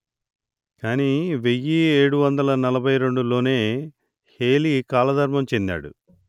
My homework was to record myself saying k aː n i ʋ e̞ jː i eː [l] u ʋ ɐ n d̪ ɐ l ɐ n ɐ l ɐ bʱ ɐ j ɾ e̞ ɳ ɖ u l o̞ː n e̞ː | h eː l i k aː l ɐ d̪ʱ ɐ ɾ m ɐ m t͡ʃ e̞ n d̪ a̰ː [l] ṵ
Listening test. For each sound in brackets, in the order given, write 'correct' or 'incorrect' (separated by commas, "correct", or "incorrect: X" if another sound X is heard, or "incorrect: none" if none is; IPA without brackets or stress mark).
incorrect: ɽ, incorrect: ɽ